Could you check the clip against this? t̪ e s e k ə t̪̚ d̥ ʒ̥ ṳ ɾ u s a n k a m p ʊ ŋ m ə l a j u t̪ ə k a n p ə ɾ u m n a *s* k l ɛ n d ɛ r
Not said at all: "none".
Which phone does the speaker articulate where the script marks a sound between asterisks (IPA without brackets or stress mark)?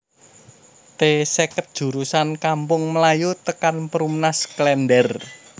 s